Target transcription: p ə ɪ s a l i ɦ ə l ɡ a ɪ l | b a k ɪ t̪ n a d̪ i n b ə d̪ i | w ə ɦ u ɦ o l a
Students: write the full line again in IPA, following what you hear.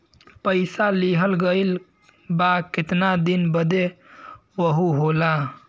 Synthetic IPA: p ə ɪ s a l i ɦ ə l ɡ ə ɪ l | b a k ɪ t̪ n a d̪ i n b ə d̪ e | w ə ɦ u ɦ o l a